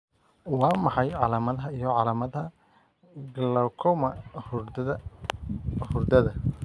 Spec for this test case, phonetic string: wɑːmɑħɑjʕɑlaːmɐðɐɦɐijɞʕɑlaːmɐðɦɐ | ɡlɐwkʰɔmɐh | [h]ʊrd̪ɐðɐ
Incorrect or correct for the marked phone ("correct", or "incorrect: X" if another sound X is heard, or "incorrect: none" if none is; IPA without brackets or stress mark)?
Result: correct